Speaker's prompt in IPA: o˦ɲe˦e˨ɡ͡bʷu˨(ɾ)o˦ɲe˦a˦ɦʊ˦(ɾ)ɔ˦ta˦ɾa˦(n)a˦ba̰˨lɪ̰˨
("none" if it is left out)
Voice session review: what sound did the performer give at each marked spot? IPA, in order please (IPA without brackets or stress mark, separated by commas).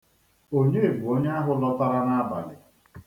none, l, n